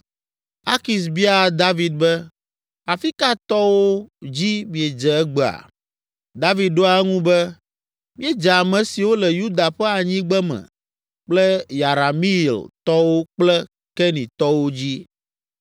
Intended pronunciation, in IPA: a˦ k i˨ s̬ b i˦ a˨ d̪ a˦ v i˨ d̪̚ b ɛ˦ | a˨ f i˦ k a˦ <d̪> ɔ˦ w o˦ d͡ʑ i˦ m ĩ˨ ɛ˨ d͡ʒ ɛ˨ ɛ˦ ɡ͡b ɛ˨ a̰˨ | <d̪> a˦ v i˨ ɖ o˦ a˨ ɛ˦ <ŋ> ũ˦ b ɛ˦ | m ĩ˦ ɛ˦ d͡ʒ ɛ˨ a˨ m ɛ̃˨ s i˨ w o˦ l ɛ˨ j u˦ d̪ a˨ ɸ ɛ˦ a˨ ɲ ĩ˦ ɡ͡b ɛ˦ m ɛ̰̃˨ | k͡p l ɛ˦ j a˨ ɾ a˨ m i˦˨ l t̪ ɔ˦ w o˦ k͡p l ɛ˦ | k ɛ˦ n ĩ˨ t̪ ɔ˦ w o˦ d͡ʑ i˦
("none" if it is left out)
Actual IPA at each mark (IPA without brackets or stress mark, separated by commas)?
t̪, d̪, ŋ